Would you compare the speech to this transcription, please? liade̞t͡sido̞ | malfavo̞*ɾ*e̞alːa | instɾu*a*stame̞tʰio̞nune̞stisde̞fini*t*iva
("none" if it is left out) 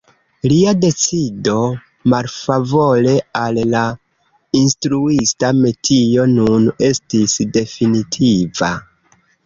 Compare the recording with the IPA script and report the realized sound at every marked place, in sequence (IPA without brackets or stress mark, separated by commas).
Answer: l, i, tʰ